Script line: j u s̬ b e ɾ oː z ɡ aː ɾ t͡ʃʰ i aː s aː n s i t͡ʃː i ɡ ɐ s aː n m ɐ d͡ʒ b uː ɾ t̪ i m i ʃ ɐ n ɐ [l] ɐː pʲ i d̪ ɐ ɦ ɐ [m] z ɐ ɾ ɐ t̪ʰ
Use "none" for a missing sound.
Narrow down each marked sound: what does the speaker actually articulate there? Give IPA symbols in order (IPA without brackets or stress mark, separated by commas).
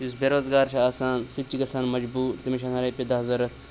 ɾ, none